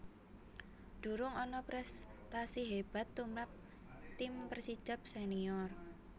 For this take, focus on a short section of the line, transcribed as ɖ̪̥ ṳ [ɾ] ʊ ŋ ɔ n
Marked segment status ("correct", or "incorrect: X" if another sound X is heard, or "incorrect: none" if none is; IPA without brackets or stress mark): correct